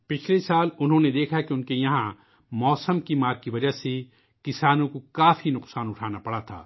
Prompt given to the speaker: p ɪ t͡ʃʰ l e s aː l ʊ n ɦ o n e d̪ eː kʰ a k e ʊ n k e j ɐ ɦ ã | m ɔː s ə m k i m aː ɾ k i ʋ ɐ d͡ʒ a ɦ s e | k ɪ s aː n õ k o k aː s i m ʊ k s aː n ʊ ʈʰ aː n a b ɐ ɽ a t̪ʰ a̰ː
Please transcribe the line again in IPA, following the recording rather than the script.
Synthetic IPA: p ɪ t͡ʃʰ l e s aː l ʊ n ɦ õ n e d̪ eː kʰ a k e ʊ n k e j ɐ ɦ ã | m ɔː s ə m k i m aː ɾ k i ʋ ɐ d͡ʒ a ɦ s e | k ɪ s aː n õ k o k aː f i n ʊ q s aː n ʊ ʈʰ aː n a p ɐ ɽ a t̪ʰ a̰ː

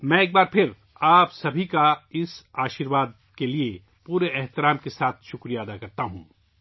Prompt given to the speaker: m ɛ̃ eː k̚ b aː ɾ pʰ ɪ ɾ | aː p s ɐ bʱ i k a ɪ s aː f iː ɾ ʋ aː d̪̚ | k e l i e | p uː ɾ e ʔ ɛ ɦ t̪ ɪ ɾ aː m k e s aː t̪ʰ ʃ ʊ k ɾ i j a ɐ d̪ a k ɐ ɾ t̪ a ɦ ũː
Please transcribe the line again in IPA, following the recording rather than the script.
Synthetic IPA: m ɛ̃ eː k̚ b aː ɾ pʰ ɪ ɾ | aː p s ɐ bʱ i k a ɪ s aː ʃ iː ɾ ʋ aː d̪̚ | k e l i e | p uː ɾ e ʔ ɛ ɦ t̪ ɪ ɾ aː m k e s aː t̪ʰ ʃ ʊ k ɾ i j a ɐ d̪ a k ɐ ɾ t̪ a ɦ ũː

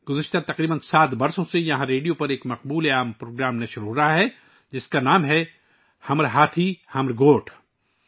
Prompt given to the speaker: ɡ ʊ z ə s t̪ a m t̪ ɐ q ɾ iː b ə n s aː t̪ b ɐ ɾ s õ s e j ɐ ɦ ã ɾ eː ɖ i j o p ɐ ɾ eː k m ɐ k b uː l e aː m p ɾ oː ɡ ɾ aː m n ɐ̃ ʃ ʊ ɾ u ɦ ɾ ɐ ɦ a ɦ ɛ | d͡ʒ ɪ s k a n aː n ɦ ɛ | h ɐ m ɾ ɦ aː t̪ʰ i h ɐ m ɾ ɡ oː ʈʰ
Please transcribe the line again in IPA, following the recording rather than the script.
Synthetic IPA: ɡ ʊ z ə ʃ t̪ a t̪ ɐ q ɾ iː b ə n s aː t̪ b ɐ ɾ s õ s e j ɐ ɦ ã ɾ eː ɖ i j o p ɐ ɾ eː k m ɐ q b uː l e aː m p ɾ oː ɡ ɾ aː m n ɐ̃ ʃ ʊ ɾ u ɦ ɾ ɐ ɦ a ɦ ɛ | d͡ʒ ɪ s k a n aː m ɦ ɛ | h ɐ m ɾ ɦ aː t̪ʰ i h ɐ m ɾ ɡ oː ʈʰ

